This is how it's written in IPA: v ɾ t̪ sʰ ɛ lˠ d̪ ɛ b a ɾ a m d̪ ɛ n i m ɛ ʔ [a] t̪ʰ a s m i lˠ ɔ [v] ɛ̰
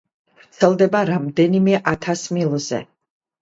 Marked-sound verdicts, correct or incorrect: correct, incorrect

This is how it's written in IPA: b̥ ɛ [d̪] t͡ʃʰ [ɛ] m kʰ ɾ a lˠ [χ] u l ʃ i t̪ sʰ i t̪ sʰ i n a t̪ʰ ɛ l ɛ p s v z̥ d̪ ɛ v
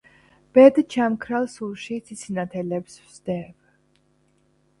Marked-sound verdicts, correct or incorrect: correct, incorrect, incorrect

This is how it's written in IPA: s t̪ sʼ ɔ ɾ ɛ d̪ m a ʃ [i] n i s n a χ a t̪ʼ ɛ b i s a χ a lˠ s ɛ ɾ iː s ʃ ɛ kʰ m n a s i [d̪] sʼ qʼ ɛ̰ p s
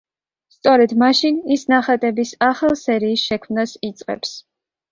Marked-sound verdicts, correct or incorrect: correct, incorrect

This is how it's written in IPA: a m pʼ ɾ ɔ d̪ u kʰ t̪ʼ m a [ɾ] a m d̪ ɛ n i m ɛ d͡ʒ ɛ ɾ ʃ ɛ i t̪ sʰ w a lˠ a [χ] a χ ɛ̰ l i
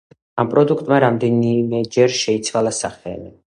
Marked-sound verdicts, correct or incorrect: correct, incorrect

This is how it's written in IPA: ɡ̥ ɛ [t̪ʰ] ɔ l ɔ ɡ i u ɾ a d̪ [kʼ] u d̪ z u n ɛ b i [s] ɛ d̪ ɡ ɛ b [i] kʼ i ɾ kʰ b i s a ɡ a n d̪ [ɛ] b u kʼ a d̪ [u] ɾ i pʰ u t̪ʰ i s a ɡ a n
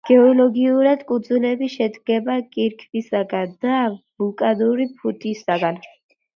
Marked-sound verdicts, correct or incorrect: incorrect, correct, incorrect, incorrect, incorrect, correct

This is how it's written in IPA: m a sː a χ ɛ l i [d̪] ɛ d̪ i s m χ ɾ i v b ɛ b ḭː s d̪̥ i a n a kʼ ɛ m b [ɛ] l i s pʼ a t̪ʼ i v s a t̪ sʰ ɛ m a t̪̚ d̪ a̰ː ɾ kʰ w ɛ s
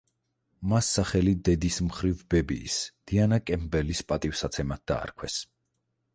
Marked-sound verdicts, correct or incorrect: correct, correct

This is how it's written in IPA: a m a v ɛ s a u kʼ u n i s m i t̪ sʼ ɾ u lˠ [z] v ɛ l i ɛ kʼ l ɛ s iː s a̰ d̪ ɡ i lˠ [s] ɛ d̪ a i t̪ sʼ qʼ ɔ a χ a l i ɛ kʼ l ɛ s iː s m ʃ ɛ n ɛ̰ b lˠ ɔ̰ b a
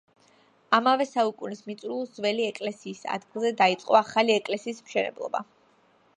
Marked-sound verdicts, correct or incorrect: correct, incorrect

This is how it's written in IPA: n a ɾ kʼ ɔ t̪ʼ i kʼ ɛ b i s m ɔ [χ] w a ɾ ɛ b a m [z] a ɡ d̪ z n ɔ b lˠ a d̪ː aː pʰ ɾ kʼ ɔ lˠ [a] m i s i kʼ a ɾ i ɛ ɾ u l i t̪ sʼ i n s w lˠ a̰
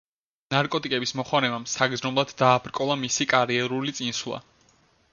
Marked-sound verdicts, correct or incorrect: correct, incorrect, correct

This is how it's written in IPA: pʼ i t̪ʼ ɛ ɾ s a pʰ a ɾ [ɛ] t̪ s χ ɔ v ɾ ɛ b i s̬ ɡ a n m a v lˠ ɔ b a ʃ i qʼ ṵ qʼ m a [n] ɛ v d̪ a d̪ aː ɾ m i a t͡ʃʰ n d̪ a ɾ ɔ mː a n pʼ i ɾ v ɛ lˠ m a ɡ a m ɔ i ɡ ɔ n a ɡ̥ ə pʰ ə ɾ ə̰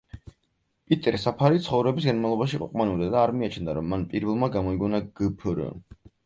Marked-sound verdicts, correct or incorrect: incorrect, correct

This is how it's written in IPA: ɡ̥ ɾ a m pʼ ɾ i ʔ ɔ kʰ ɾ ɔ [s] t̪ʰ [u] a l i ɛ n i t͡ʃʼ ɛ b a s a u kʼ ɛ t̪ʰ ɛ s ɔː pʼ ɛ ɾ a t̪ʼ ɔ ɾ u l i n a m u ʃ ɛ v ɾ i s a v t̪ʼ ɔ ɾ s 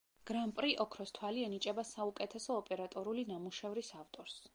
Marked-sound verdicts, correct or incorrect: correct, incorrect

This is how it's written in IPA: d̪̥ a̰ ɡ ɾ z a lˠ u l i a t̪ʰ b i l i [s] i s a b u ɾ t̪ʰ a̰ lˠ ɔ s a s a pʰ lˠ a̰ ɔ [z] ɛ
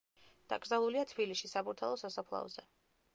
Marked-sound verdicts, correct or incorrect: incorrect, correct

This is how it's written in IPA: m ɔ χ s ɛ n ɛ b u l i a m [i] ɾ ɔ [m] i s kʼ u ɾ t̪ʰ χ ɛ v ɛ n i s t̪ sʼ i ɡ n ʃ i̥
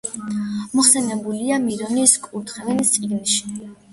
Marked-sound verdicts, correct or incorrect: correct, incorrect

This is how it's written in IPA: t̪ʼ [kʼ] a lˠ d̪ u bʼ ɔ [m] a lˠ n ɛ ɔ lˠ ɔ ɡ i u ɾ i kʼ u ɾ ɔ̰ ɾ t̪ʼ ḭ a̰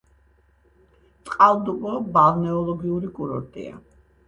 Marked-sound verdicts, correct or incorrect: incorrect, incorrect

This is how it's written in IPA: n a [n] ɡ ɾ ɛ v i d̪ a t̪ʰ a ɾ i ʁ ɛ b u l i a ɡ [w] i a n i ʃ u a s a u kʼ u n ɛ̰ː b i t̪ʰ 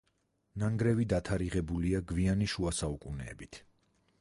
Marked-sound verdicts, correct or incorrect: incorrect, incorrect

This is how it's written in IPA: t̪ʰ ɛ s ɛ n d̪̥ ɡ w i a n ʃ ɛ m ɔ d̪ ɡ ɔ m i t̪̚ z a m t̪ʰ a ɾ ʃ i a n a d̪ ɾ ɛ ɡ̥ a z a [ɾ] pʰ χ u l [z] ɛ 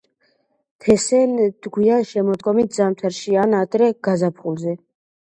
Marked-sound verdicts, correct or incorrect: incorrect, correct

